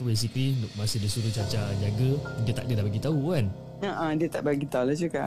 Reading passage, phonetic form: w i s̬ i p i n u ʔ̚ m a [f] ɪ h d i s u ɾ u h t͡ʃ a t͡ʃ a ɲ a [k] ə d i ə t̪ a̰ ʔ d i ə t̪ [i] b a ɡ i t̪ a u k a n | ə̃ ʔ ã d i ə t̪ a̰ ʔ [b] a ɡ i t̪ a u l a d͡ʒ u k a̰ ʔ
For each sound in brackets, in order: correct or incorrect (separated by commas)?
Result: incorrect, incorrect, incorrect, correct